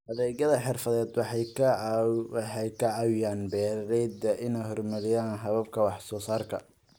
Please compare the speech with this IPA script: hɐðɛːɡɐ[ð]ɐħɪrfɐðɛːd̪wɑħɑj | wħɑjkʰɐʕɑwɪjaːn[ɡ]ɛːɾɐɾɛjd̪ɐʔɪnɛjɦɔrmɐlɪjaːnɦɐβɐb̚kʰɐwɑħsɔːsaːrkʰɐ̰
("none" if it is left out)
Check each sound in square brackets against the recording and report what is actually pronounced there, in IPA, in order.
ð, b

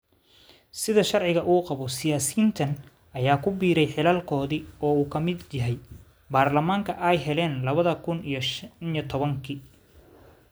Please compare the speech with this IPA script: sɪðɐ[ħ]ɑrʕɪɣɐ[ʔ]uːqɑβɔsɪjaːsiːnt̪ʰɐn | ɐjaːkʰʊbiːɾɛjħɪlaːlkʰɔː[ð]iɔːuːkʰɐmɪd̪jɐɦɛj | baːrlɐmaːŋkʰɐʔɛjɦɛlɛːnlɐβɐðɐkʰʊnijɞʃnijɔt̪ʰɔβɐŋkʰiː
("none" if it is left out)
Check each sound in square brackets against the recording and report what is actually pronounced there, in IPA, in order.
ʃ, ʔ, ð

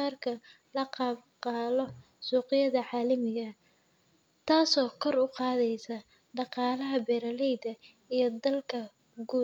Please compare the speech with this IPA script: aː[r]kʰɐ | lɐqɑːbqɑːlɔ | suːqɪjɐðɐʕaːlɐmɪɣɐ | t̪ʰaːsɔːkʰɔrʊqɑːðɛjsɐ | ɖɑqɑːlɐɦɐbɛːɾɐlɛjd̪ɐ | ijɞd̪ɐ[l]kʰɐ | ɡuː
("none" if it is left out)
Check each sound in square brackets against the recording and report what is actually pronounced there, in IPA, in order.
r, l

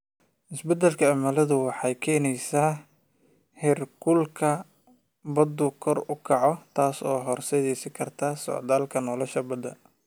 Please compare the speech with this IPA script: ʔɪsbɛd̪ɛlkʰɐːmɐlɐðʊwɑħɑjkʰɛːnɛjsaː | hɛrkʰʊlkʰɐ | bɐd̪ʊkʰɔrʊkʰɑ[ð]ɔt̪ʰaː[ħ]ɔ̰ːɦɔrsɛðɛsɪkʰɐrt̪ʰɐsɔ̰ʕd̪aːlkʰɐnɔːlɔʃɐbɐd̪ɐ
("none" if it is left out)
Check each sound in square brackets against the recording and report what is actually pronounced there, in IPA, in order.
ʕ, s

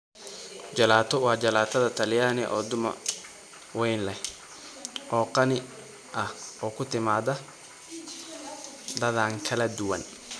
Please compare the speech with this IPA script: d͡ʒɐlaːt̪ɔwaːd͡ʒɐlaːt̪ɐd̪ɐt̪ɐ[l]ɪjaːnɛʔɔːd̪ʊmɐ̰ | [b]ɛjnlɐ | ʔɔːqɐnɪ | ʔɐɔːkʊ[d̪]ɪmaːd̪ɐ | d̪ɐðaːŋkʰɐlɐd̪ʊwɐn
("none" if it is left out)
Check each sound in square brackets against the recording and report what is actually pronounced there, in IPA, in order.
l, w, t̪

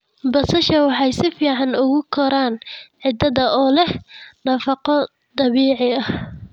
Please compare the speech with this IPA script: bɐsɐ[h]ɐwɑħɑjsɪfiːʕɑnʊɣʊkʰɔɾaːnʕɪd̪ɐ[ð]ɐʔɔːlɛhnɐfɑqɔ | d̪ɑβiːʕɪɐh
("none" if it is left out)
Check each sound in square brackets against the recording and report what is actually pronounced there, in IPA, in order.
ʃ, ð

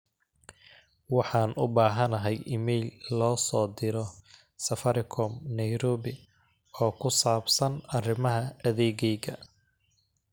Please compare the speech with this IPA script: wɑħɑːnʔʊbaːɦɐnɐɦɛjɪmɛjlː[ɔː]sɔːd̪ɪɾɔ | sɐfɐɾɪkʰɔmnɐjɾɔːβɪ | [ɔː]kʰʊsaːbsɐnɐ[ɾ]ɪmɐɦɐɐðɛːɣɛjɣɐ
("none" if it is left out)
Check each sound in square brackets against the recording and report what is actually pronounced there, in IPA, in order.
ɔː, ɔː, r

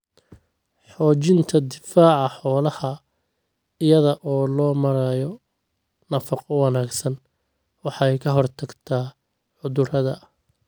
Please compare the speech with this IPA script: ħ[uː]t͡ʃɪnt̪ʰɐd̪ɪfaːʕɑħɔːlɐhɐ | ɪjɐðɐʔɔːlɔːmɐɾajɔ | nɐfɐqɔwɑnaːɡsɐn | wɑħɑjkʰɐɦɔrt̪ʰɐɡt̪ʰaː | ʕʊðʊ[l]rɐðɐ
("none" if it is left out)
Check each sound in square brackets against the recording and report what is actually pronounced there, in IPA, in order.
ɔː, none

